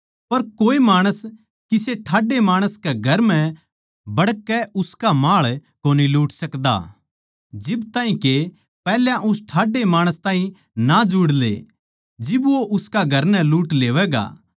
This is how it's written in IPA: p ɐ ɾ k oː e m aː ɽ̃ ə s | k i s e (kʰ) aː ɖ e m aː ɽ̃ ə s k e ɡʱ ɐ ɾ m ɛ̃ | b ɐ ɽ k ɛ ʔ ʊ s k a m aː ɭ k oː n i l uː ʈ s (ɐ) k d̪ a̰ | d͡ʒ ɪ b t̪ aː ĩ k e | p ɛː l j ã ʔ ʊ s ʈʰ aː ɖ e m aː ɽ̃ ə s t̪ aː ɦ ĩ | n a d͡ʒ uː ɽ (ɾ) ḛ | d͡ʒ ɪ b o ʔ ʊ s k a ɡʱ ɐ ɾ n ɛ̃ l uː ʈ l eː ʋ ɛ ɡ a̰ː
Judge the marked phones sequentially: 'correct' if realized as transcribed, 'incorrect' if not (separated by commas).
incorrect, correct, incorrect